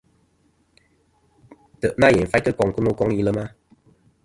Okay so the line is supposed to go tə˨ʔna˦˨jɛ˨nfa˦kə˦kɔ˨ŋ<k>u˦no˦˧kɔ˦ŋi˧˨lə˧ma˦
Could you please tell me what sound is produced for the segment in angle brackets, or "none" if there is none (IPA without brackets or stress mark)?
k